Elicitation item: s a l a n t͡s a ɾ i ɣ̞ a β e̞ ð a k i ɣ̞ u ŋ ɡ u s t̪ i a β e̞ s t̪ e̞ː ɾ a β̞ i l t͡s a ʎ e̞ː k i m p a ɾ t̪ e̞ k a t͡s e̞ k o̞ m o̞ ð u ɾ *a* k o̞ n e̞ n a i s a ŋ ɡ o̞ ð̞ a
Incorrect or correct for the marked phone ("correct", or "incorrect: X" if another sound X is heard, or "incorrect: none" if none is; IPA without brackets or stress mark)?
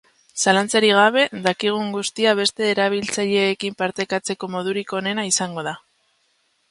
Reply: incorrect: i